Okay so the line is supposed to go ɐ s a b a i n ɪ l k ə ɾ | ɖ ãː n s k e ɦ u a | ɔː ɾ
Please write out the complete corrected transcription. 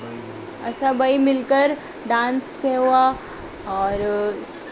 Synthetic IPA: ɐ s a b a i m ɪ l k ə ɾ | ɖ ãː n s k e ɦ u a | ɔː ɾ